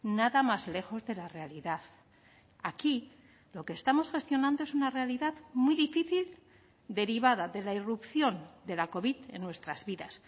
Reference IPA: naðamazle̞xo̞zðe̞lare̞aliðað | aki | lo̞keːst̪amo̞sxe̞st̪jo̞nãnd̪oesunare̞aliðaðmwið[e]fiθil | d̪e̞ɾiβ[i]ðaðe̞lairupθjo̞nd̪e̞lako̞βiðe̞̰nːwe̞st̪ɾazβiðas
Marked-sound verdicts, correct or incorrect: incorrect: i, incorrect: a

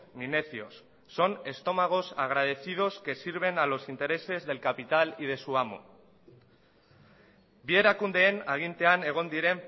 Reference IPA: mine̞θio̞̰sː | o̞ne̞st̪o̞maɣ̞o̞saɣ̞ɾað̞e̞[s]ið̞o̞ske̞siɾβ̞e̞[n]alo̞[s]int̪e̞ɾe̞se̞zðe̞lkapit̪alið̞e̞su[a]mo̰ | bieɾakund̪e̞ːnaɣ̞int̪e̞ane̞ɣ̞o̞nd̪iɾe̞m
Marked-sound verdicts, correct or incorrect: incorrect: θ, correct, correct, correct

